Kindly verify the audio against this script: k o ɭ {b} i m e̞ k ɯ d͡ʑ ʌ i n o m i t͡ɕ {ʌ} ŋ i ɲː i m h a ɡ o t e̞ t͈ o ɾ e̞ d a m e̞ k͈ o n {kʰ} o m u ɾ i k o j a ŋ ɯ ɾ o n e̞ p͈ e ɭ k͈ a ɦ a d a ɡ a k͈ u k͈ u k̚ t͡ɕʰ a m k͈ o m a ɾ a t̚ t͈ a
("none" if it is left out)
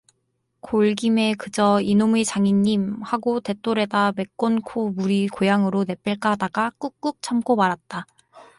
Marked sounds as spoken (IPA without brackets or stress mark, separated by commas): ɡ, a, kʰ